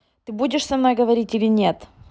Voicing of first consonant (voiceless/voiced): voiceless